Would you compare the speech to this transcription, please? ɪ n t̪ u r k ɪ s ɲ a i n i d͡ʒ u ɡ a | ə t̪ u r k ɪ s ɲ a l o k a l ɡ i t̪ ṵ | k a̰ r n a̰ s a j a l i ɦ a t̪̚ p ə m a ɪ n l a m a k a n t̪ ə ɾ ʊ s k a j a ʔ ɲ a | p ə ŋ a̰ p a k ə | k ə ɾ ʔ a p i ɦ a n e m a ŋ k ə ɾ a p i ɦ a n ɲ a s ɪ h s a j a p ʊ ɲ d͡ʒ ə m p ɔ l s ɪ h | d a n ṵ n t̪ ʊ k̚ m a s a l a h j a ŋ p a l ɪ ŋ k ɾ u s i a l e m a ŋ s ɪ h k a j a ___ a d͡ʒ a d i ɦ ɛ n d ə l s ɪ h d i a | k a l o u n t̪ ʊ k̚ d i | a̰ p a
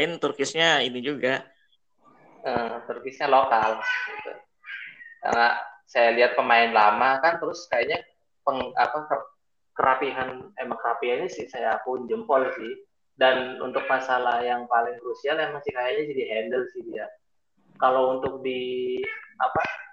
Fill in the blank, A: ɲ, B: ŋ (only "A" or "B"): A